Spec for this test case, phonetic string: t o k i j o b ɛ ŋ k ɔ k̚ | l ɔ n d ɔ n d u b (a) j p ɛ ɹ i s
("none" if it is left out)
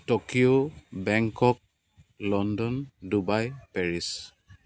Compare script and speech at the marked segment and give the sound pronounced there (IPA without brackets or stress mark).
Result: a